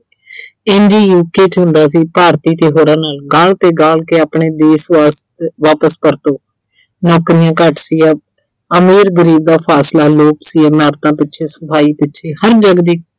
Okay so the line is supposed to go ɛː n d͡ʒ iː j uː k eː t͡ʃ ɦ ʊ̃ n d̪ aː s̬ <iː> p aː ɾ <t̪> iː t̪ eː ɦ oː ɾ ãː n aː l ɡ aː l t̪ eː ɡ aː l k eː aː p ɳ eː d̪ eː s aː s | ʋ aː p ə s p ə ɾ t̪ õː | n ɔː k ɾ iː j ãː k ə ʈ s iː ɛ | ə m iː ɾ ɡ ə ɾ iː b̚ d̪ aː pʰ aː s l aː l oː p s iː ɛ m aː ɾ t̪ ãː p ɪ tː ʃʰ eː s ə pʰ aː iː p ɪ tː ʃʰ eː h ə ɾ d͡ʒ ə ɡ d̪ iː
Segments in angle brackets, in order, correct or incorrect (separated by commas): correct, correct